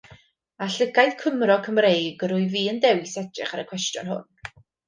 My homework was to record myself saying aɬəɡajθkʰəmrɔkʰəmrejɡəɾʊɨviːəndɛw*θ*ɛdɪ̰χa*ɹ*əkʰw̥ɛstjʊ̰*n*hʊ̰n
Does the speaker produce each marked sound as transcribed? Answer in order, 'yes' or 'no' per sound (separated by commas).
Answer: no, no, yes